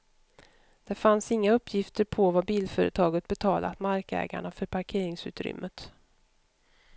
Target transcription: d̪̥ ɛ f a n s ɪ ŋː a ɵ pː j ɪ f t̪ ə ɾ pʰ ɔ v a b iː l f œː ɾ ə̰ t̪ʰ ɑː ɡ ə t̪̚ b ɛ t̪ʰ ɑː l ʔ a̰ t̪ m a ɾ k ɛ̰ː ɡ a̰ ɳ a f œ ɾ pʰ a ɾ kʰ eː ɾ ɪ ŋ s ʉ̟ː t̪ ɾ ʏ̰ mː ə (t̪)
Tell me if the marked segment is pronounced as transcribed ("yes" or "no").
yes